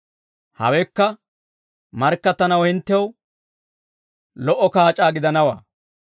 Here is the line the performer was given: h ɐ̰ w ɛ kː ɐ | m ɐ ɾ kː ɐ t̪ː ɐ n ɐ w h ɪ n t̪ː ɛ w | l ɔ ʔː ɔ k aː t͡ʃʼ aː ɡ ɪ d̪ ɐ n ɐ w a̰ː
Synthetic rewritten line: h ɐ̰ w ɛ kː ɐ | m ɐ ɾ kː ɐ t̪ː ɐ n ɐ w h ɪ n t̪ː ɛ w | l ɔ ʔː ɔ k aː t͡ʃʼ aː ɡ ɪ d̪ ɐ n ɐ w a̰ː